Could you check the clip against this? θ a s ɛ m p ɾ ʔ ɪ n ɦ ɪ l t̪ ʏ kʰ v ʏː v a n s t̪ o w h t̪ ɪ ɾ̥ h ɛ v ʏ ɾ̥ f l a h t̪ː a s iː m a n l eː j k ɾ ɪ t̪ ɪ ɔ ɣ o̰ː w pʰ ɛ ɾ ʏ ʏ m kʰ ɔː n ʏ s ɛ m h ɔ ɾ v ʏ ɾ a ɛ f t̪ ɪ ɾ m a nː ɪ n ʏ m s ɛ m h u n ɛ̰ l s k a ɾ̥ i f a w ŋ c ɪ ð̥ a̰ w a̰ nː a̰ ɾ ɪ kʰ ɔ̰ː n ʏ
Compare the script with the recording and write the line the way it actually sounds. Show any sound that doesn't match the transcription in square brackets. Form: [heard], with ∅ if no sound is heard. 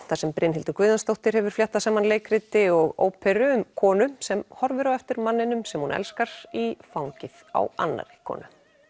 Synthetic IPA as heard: θ a s ɛ m p ɾ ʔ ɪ n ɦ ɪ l t̪ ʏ [k] v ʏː [ð] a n s t̪ o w h t̪ ɪ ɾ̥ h ɛ v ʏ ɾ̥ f l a h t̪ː a s [aː] m a n l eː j k ɾ ɪ t̪ ɪ ɔ ɣ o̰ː w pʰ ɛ ɾ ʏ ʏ m kʰ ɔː n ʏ s ɛ m h ɔ ɾ v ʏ ɾ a ɛ f t̪ ɪ ɾ m a nː ɪ n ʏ m s ɛ m h u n ɛ̰ l s k a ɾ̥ i f a w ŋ c ɪ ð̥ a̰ w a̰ nː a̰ ɾ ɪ kʰ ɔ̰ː n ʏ

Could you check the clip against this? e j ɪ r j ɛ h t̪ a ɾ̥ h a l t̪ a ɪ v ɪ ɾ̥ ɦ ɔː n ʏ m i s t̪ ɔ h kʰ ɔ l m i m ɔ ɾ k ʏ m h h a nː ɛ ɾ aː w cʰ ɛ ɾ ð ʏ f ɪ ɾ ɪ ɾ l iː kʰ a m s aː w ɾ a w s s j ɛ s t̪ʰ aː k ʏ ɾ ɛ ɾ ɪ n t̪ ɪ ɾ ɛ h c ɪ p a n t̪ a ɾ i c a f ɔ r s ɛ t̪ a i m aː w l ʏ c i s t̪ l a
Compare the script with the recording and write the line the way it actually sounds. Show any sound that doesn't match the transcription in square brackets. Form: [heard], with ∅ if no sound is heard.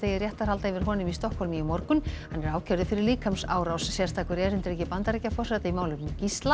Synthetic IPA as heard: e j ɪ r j ɛ h t̪ a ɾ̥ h a l t̪ a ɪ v ɪ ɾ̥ ɦ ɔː n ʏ m i s t̪ ɔ h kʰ ɔ l m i m ɔ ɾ k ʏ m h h a nː ɛ ɾ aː w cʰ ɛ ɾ ð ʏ f ɪ ɾ ɪ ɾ l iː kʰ a m s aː w ɾ a w s s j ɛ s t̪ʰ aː k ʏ ɾ ɛ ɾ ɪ n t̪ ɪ ɾ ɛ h c ɪ p a n t̪ a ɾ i c a f ɔ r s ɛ t̪ a i m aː w l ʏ c i s t̪ l a

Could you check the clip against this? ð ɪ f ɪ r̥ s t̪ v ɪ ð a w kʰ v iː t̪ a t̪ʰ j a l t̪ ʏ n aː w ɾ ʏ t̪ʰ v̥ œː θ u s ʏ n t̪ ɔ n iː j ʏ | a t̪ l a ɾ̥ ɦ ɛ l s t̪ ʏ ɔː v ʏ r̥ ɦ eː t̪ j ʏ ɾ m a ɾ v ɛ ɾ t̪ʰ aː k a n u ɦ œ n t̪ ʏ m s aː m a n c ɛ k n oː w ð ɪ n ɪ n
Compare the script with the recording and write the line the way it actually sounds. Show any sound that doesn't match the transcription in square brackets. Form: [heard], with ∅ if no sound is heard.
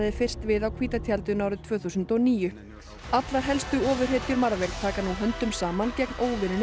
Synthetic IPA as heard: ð ɪ f ɪ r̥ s t̪ v ɪ ð a w kʰ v iː t̪ a t̪ʰ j a l t̪ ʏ n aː w ɾ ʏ t̪ʰ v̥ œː θ u s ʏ n t̪ ɔ n iː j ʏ | a t̪ l a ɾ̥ ɦ ɛ l s t̪ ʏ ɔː v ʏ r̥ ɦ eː t̪ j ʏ ɾ m a ɾ v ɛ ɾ t̪ʰ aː k a n u ɦ œ n t̪ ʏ m s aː m a n c ɛ k n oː w [v] ɪ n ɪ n

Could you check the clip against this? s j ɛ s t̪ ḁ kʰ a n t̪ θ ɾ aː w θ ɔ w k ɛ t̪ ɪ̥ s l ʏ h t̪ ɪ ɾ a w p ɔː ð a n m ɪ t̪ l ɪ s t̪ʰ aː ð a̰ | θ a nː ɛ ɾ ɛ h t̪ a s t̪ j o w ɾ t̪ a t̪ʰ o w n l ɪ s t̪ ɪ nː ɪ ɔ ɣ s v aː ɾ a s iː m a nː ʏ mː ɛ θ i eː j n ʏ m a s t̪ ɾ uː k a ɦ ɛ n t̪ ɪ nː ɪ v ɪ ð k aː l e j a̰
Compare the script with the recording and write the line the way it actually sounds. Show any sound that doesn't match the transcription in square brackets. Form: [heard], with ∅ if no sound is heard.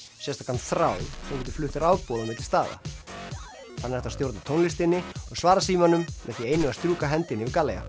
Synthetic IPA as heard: s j ɛ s t̪ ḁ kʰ a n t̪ θ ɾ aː w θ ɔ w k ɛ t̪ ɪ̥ [f] l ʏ h t̪ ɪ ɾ a w p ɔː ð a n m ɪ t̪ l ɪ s [t̪] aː ð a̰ | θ a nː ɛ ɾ ɛ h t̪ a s t̪ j o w ɾ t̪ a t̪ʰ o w n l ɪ s t̪ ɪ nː ɪ ɔ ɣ s v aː ɾ a s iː m a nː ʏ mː ɛ θ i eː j n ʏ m a s t̪ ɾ uː k a ɦ ɛ n t̪ ɪ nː ɪ v ɪ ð k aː l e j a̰

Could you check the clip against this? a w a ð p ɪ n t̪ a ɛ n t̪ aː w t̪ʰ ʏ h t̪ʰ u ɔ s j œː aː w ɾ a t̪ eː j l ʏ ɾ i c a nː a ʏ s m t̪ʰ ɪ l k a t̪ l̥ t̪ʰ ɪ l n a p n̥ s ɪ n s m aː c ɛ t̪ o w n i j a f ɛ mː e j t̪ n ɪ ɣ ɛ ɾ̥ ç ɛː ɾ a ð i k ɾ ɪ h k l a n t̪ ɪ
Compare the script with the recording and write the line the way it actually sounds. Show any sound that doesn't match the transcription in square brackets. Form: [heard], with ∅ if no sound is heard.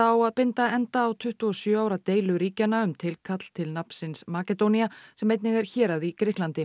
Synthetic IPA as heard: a w a ð p ɪ n t̪ a ɛ n t̪ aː w t̪ʰ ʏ h [t̪] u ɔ s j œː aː w ɾ a t̪ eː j l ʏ ɾ [iː] c a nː a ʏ [∅] m t̪ʰ ɪ l [kʰ] a t̪ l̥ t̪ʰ ɪ l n a p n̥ s ɪ n s m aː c ɛ t̪ o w n i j a [s] ɛ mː e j t̪ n ɪ ɣ ɛ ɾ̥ ç ɛː ɾ a ð i k ɾ ɪ h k l a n t̪ ɪ

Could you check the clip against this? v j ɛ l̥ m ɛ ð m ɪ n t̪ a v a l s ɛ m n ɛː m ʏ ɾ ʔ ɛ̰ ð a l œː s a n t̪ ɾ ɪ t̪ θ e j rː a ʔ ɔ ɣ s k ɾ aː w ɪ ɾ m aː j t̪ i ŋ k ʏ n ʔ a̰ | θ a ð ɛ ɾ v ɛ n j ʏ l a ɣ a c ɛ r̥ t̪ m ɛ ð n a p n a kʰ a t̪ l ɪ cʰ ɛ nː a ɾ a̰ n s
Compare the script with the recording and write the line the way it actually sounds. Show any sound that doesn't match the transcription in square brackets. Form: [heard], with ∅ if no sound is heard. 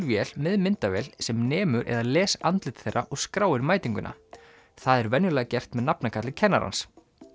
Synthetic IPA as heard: v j ɛ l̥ m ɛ ð m ɪ n t̪ a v [ɛ] l s ɛ m n ɛː m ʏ ɾ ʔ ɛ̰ ð a l [ɛː] s a n t̪ [l] ɪ t̪ θ e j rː a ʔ ɔ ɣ s k ɾ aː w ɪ ɾ m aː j t̪ i ŋ k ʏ n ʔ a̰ | θ a ð ɛ ɾ v ɛ n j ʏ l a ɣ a c ɛ r̥ t̪ m ɛ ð n a p n a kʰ a t̪ l ɪ cʰ ɛ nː a ɾ a̰ n s

